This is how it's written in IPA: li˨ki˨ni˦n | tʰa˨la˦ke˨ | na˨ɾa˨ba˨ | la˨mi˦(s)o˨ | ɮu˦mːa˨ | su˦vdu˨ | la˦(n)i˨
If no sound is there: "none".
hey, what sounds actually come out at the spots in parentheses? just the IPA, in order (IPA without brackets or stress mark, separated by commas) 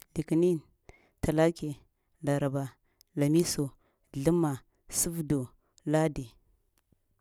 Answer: s, d